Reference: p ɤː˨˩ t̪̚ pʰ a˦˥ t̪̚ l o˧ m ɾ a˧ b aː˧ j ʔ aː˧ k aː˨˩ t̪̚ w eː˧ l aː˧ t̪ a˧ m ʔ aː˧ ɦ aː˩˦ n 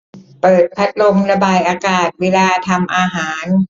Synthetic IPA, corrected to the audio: p ɤː˨˩ t̪̚ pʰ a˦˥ t̪̚ l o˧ m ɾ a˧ b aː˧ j ʔ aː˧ k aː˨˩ t̪̚ w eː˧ l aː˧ t̪ʰ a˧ m ʔ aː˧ ɦ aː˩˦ n